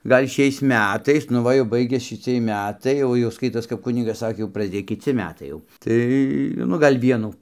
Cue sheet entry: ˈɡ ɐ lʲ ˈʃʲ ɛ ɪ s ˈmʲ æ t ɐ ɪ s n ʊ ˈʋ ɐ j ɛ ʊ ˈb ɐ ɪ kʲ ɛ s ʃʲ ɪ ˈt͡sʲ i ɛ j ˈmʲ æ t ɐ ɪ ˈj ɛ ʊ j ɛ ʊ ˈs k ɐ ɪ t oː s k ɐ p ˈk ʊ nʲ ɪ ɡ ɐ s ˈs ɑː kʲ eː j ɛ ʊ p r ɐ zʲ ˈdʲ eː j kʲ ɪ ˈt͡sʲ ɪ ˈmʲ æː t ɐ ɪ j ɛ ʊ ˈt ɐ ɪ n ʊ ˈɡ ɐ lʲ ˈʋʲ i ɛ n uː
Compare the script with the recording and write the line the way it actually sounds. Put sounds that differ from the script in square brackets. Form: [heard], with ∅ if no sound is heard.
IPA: ˈɡ ɐ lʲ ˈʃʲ ɛ ɪ s ˈmʲ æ t ɐ ɪ s n ʊ ˈʋ ɐ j ɛ ʊ ˈb ɐ ɪ [ɡʲ] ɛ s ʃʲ ɪ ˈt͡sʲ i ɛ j ˈmʲ æ t ɐ ɪ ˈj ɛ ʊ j ɛ ʊ ˈs k ɐ ɪ t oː s k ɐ p ˈk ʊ nʲ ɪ ɡ ɐ s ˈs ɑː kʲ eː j ɛ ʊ p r ɐ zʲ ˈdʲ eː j kʲ ɪ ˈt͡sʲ ɪ ˈmʲ æː t ɐ ɪ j ɛ ʊ ˈt ɐ ɪ n ʊ ˈɡ ɐ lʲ ˈʋʲ i ɛ n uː

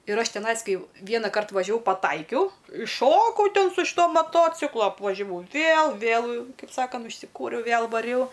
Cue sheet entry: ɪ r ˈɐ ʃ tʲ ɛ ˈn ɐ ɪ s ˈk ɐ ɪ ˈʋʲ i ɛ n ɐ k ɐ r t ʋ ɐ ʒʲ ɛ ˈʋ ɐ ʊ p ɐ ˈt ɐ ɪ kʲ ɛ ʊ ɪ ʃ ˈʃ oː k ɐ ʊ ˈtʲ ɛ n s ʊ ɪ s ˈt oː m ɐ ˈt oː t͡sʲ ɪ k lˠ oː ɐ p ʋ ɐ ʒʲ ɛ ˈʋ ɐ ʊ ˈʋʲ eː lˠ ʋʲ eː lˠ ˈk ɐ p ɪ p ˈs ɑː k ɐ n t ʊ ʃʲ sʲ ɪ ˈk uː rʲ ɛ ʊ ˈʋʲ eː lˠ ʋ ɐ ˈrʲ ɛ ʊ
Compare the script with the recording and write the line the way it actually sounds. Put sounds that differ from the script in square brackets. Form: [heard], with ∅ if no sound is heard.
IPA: ɪ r ˈɐ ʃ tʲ ɛ ˈn ɐ ɪ s ˈk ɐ ɪ ˈʋʲ i ɛ n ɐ k ɐ r t ʋ ɐ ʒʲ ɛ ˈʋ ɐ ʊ p ɐ ˈt ɐ ɪ kʲ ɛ ʊ ɪ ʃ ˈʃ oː k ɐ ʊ ˈtʲ ɛ n s ʊ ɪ [ʃ] ˈt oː m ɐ ˈt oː t͡sʲ ɪ k lˠ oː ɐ p ʋ ɐ ʒʲ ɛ ˈʋ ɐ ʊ ˈʋʲ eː lˠ ʋʲ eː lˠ ˈk ɐ [∅] ɪ p ˈs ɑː k ɐ n t ʊ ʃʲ sʲ ɪ ˈk uː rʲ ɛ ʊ ˈʋʲ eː lˠ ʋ ɐ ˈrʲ ɛ ʊ

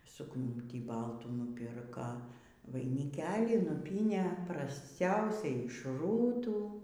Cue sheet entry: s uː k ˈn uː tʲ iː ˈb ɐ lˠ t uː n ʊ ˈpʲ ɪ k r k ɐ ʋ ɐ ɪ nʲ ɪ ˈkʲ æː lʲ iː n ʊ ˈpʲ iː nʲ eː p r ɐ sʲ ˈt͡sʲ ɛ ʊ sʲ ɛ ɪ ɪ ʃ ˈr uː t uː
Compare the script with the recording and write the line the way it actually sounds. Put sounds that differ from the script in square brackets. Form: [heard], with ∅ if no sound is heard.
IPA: s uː k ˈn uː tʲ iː ˈb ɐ lˠ t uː n ʊ ˈpʲ ɪ [∅] r k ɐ ʋ ɐ ɪ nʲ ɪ ˈkʲ æː lʲ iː n ʊ ˈpʲ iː nʲ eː p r ɐ sʲ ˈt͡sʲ ɛ ʊ sʲ ɛ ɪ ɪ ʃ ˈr uː t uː

